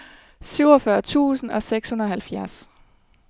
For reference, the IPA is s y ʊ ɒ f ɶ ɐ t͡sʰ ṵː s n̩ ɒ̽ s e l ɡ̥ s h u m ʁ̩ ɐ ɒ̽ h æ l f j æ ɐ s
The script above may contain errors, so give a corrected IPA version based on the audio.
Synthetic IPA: s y ʊ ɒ f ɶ ɐ t͡sʰ ṵː s n̩ ɒ̽ s e ɡ̥ s h u n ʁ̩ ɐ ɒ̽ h æ l f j æ ɐ s